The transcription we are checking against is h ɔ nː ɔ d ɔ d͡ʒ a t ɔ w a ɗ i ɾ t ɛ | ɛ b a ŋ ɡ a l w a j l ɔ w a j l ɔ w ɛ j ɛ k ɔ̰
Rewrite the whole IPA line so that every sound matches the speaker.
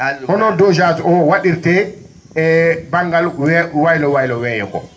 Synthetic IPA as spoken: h ɔ n ɔ d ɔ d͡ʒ a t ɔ w a ɗ i ɾ t ɛ | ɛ b a ŋ ɡ a l w a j l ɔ w a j l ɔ w ɛ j ɛ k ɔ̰